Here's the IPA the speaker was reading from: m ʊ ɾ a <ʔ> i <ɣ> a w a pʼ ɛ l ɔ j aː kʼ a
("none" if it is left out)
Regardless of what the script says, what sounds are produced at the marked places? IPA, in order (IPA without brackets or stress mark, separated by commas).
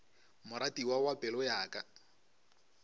t, w